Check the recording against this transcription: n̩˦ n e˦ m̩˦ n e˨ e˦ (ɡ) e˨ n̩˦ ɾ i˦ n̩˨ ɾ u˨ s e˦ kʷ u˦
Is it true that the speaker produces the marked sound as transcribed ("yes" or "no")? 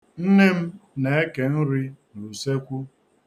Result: no